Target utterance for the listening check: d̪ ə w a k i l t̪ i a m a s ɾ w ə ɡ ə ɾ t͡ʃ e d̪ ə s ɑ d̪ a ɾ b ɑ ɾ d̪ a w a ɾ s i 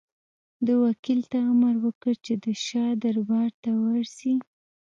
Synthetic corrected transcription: d̪ ə w a k i l t̪ a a m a ɾ w ə k ə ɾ t͡ʃ e d̪ ə ʃ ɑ d̪ a ɾ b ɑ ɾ t̪ a w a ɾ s i